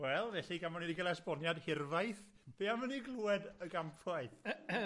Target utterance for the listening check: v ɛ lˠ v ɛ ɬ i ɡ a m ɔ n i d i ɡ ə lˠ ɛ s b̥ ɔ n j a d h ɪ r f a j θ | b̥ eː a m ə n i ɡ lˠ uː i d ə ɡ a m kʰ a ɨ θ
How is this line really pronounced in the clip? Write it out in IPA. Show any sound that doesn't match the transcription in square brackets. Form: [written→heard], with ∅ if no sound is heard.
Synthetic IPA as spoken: [v→w] ɛ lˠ v ɛ ɬ i ɡ a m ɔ n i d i ɡ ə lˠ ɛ s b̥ ɔ n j a d h ɪ r [f→v] a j θ | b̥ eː a m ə n i ɡ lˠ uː [i→ɛ] d ə ɡ a m [kʰ→pʰ] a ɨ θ